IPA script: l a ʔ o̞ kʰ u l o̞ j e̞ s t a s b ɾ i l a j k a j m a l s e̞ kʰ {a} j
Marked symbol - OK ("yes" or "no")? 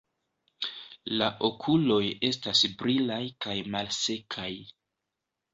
yes